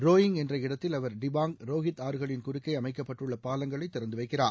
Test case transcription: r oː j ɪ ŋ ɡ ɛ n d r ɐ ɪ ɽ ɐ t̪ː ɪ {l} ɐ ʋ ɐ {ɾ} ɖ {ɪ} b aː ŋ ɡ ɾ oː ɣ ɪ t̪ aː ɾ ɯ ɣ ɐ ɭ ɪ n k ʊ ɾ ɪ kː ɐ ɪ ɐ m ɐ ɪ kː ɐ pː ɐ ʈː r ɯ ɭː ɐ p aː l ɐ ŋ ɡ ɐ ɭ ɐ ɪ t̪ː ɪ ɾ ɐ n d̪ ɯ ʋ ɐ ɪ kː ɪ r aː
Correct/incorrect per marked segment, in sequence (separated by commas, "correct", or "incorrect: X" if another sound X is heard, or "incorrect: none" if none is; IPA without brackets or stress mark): correct, correct, correct